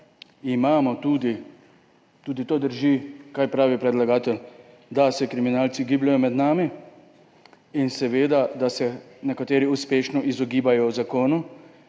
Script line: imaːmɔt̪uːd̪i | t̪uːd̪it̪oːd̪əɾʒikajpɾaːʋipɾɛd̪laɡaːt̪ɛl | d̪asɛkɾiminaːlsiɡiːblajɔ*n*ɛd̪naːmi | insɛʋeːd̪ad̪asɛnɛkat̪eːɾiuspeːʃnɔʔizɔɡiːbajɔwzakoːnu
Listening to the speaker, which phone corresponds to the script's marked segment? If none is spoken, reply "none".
m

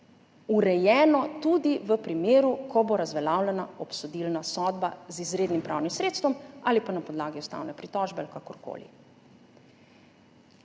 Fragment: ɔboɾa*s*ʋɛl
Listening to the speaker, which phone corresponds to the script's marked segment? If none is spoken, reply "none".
z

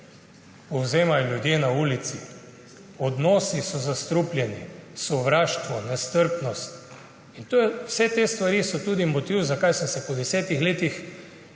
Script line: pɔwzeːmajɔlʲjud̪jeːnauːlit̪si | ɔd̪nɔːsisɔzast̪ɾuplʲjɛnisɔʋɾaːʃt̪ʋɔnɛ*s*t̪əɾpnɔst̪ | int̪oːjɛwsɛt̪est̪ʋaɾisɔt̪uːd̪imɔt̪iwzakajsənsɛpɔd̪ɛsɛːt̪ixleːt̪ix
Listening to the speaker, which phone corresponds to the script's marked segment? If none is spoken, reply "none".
s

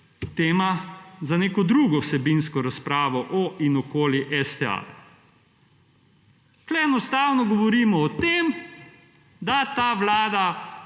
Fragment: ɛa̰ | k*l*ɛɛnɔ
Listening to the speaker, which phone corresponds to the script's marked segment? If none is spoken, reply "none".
l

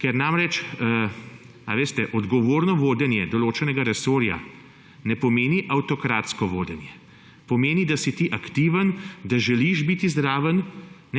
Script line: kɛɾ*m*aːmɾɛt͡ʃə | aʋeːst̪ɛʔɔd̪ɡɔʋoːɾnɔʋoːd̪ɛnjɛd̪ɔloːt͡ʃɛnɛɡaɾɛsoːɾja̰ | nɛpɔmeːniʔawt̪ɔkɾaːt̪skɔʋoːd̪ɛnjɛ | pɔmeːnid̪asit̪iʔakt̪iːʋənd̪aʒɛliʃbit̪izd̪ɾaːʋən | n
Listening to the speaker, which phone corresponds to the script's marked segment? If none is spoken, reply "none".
n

